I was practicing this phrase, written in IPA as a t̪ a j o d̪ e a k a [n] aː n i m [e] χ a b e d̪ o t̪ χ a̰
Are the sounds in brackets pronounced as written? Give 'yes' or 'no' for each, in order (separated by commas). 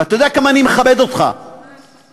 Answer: no, yes